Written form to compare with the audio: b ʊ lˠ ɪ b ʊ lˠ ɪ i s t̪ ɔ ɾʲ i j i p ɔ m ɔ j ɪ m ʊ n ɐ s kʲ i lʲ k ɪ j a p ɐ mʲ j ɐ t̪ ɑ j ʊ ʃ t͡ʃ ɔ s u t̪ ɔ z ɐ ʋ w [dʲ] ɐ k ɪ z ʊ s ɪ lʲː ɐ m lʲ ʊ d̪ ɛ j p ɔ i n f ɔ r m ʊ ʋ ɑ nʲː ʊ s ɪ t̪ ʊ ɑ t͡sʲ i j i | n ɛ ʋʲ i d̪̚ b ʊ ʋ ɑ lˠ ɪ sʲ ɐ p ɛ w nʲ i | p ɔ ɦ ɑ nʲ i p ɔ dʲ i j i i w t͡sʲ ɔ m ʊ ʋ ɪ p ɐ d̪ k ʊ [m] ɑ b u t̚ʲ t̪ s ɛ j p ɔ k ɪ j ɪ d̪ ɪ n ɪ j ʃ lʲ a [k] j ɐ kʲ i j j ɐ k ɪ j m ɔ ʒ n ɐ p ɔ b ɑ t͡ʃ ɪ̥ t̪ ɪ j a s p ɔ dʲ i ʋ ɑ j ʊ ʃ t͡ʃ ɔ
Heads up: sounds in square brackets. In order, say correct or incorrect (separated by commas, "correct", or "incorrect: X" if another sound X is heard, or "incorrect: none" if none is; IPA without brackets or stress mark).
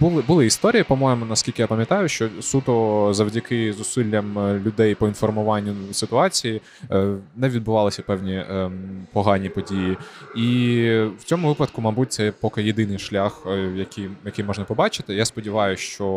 correct, correct, incorrect: x